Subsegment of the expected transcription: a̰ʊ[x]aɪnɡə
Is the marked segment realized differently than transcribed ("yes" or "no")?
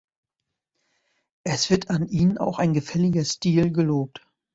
no